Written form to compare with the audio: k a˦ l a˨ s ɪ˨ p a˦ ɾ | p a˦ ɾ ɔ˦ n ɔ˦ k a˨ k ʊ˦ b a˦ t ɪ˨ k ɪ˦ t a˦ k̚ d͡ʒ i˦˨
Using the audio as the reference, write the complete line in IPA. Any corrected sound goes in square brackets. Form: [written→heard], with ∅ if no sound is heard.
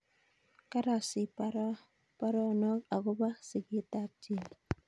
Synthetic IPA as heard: k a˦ [l→ɾ] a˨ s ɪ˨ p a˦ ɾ | p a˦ ɾ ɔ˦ n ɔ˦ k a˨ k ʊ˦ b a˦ [t→s] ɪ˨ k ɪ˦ t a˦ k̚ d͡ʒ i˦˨